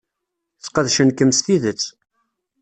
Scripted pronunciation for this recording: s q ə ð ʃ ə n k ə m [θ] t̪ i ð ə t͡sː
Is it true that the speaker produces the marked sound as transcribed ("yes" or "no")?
no